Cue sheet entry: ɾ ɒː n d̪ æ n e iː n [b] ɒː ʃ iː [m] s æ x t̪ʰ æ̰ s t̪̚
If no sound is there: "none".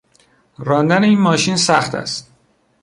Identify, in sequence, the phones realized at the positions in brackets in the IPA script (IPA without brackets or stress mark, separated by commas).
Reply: m, n